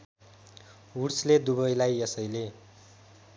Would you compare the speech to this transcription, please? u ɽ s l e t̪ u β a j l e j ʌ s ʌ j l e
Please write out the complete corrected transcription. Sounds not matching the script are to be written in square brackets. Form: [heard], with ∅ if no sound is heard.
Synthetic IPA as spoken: u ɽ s l e [d̪] u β [ʌ] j l [a] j ʌ s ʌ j l e